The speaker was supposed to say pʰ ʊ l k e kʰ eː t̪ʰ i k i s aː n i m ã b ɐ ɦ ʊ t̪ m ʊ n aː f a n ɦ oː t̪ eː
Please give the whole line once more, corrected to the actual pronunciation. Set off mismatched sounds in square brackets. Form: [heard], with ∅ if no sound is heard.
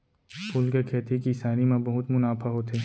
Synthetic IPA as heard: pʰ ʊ l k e kʰ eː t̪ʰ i k i s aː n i m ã b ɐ ɦ ʊ t̪ m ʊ n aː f a [∅] ɦ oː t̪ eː